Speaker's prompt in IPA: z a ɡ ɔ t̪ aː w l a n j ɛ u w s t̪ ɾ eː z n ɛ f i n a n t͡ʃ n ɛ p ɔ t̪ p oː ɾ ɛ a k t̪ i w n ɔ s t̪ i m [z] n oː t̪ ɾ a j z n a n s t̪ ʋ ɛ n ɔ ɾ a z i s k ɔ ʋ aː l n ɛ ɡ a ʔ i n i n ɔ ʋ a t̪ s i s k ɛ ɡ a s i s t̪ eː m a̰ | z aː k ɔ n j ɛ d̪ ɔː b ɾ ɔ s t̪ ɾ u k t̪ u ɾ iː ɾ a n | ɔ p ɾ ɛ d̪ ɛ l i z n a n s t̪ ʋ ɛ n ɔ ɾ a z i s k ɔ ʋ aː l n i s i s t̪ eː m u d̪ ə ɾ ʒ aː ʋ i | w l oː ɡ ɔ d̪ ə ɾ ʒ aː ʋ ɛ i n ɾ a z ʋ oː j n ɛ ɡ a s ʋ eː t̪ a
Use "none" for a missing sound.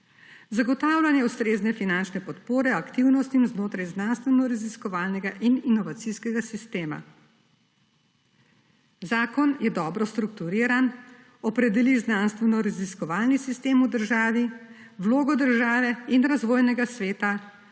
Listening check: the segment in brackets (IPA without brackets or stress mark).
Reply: z